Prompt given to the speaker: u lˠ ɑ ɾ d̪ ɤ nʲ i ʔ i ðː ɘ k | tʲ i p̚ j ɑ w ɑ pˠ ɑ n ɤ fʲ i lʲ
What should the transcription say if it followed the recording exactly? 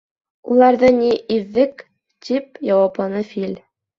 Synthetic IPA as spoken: u lˠ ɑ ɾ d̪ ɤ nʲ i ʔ i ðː ɘ k | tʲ i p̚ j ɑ w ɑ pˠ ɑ n ɤ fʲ i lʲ